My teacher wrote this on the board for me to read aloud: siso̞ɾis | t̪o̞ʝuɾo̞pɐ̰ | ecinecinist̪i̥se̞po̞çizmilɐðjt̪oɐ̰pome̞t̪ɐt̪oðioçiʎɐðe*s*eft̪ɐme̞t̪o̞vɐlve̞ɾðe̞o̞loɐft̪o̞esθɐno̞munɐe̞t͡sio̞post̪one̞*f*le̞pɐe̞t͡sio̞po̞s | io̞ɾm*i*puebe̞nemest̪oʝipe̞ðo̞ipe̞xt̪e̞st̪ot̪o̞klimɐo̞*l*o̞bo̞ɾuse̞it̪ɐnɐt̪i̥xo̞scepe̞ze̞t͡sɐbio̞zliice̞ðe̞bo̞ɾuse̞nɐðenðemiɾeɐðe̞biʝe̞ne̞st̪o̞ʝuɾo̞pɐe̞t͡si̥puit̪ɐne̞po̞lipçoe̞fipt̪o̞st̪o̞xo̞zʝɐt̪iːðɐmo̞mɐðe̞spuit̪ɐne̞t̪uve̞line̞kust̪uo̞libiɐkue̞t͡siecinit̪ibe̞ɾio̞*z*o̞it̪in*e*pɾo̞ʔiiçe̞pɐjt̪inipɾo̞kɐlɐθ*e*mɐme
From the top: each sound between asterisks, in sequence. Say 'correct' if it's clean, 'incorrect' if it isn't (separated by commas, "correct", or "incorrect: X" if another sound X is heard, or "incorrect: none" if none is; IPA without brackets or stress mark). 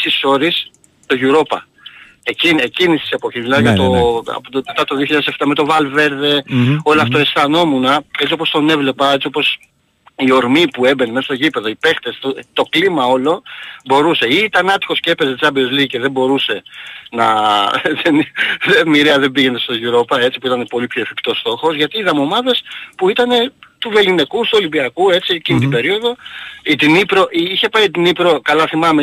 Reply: correct, incorrect: v, correct, correct, incorrect: ð, incorrect: i, incorrect: i